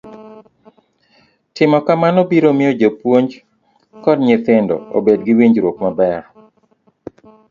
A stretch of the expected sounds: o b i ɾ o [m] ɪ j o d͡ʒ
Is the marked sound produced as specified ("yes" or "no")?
yes